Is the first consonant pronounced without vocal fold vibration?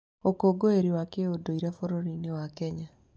yes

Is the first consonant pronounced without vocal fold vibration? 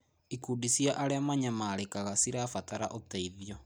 yes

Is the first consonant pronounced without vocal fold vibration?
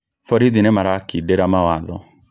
yes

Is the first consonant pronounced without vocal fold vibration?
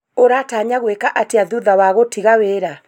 no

